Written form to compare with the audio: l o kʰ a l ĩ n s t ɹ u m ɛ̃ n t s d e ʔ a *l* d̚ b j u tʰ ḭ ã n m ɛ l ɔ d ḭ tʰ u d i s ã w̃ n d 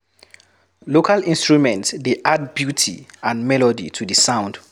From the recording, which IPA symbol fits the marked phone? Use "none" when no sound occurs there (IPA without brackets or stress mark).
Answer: none